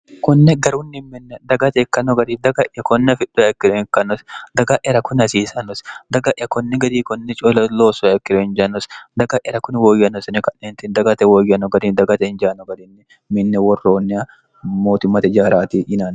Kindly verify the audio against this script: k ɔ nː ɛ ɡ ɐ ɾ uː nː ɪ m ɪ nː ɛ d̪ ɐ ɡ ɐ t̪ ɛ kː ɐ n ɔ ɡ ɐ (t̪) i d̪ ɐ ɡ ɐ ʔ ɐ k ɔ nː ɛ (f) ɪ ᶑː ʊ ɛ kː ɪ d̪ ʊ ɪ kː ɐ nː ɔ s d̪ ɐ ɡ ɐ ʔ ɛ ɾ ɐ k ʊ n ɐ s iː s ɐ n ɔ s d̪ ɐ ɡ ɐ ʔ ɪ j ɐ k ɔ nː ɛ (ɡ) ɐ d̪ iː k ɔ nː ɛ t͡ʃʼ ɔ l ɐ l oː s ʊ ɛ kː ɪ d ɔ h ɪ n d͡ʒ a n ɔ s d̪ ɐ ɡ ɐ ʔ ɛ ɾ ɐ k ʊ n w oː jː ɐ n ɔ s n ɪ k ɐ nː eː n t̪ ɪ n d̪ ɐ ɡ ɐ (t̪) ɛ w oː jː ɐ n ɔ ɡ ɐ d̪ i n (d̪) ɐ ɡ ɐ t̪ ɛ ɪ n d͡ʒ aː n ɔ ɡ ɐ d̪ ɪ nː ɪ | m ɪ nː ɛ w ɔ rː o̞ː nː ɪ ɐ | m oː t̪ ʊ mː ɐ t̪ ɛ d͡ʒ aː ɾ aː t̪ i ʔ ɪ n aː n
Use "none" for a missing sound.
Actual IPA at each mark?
d̪, f, ɡ, t̪, d̪

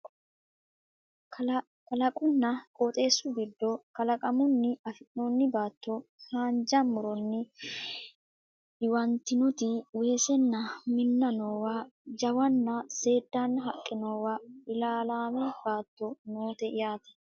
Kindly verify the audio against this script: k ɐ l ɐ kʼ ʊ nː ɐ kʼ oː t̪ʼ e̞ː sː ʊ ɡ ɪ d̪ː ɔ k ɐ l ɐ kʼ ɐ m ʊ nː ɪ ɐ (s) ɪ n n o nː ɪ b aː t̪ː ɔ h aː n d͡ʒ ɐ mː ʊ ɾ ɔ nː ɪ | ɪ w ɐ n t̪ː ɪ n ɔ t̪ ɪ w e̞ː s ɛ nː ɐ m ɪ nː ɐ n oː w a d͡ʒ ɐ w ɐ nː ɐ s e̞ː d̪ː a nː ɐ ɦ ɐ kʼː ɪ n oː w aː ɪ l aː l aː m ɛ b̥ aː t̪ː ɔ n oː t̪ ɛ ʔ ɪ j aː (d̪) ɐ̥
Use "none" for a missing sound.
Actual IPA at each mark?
f, t̪

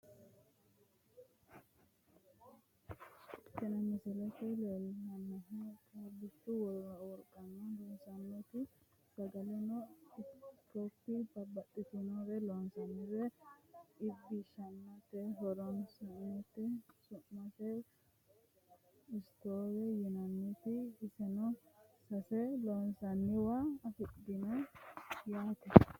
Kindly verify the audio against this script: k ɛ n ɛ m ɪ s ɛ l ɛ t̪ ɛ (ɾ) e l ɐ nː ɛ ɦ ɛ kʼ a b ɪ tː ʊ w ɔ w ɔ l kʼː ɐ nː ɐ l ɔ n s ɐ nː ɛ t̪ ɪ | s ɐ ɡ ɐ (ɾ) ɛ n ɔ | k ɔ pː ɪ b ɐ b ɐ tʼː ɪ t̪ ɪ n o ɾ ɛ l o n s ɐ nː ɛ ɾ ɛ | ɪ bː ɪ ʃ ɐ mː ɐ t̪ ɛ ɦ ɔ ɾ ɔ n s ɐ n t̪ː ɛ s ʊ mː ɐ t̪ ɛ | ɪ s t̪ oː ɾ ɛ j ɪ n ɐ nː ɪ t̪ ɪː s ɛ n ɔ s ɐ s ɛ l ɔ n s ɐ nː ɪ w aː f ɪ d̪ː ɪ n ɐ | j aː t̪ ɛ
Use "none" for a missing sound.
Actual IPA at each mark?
l, l

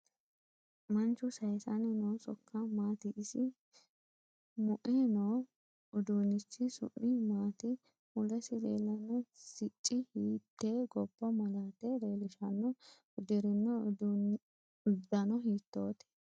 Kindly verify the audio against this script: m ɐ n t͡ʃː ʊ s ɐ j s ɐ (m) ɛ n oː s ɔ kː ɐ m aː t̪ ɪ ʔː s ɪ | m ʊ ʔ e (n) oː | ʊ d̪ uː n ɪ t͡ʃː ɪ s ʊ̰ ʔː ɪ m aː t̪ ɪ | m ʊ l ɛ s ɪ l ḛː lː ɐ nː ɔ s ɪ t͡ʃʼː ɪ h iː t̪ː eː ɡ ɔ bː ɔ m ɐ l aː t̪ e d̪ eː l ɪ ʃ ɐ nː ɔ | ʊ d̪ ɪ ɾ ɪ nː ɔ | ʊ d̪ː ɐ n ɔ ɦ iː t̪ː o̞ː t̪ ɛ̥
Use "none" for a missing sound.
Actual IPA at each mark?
n, n

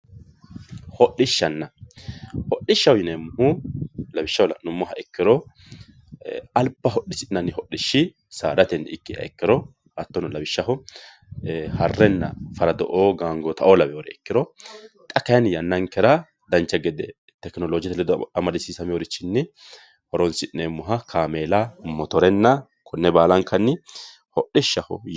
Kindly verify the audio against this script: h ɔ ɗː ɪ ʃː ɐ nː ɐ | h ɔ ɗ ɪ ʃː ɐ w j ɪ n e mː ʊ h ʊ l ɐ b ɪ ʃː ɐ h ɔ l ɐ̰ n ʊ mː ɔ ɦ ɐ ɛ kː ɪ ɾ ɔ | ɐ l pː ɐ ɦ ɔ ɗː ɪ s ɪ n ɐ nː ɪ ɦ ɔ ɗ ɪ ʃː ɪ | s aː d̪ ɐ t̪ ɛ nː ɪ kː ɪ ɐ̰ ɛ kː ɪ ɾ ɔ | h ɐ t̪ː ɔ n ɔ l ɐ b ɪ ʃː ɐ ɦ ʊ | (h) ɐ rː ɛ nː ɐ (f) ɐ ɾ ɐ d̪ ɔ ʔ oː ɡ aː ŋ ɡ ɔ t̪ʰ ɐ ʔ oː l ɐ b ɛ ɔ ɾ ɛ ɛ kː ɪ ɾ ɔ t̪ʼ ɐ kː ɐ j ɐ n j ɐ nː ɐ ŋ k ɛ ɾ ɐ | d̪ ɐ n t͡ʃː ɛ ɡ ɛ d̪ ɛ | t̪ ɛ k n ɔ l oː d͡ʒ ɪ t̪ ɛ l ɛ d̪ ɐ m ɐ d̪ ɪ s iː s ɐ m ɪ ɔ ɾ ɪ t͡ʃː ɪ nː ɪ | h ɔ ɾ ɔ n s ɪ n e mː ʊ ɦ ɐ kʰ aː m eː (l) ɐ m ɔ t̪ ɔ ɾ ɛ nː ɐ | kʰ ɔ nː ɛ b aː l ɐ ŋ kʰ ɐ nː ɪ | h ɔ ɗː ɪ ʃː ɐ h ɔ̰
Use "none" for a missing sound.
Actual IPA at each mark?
h, f, l

